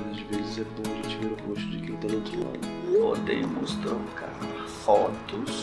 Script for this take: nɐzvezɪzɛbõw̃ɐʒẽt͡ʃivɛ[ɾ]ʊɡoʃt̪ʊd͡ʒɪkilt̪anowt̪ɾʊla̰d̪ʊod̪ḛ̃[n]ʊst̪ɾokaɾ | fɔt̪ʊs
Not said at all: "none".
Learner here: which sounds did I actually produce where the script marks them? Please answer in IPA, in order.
ɾ, m

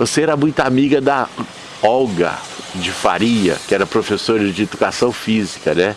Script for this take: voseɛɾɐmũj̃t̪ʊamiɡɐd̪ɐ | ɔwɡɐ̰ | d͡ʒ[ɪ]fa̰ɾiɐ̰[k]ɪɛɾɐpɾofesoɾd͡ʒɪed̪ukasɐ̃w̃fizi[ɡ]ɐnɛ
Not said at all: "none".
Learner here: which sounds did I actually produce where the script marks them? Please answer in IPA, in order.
ɪ, k, k

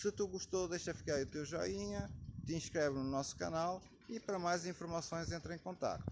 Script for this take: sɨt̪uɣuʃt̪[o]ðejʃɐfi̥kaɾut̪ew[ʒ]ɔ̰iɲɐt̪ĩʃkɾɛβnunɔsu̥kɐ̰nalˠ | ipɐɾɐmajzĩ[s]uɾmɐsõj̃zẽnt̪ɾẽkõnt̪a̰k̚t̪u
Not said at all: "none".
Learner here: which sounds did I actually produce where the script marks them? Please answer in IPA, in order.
o, ʒ, f

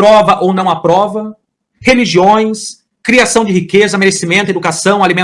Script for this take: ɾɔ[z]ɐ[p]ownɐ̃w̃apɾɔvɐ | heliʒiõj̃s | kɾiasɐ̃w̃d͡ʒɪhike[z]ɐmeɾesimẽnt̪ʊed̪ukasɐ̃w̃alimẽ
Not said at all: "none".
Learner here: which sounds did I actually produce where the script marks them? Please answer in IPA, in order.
v, ʔ, z

